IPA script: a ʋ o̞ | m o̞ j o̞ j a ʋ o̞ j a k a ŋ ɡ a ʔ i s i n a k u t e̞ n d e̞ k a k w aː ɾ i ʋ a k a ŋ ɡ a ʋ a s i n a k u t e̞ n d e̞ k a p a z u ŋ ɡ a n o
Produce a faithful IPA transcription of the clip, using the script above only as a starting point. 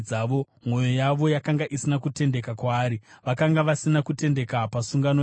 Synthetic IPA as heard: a ʋ o̞ | m o̞ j o̞ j a ʋ o̞ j a k a ŋ ɡ a ʔ i s i n a k u t e̞ n d e̞ k a k w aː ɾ i ʋ a k a ŋ ɡ a ʋ a s i n a k u t e̞ n d e̞ k a p a s u ŋ ɡ a n o